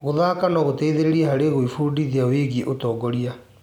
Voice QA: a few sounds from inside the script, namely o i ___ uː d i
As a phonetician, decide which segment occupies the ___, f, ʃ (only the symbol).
f